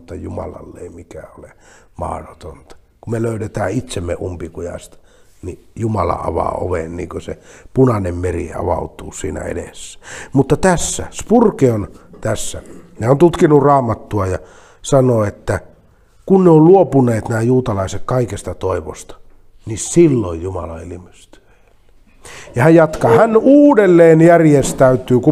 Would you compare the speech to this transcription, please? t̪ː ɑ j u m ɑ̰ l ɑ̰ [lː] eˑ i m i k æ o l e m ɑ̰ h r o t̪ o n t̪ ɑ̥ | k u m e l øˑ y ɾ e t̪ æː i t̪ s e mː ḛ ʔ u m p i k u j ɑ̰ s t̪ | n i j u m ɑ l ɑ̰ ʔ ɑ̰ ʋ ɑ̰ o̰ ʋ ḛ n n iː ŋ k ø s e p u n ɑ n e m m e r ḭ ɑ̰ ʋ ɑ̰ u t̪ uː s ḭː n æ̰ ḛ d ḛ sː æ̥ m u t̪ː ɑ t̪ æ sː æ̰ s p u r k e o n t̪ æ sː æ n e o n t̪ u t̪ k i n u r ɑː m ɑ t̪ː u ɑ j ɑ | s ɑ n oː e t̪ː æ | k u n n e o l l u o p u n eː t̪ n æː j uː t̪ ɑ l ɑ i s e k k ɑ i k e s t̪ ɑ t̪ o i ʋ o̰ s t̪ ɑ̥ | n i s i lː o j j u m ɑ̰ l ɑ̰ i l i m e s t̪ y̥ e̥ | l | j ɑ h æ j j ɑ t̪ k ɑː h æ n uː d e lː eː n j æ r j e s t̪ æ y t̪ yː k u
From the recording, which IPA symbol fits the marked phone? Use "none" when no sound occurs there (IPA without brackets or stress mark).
lː